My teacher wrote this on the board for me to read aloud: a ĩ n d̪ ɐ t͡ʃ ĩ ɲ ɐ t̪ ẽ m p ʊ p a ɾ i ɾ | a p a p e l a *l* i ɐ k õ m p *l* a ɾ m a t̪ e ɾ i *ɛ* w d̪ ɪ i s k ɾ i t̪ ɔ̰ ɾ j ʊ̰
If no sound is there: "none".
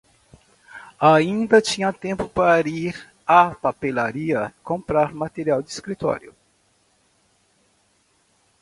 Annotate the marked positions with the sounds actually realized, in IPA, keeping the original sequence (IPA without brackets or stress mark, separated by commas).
ɾ, ɾ, a